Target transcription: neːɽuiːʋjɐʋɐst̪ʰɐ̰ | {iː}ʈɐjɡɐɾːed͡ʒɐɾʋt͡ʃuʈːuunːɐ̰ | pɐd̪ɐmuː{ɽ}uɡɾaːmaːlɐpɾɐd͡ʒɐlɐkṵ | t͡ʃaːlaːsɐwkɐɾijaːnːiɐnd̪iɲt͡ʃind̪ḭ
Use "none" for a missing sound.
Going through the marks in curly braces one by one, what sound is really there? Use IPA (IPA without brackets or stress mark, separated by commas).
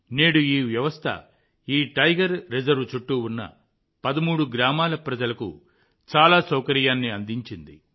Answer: iː, ɽ